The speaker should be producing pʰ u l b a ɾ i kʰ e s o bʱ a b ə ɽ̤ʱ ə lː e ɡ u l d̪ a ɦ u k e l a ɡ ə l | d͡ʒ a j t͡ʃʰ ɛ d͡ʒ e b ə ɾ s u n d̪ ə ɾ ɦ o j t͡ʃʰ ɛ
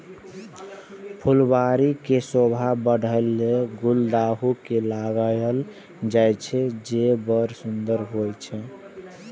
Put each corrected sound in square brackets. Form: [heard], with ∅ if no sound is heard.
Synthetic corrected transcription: pʰ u l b a ɾ i [k] e s o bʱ a b ə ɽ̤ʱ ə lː e ɡ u l d̪ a ɦ u k e l a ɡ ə l | d͡ʒ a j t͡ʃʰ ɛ d͡ʒ e b ə ɾ s u n d̪ ə ɾ ɦ o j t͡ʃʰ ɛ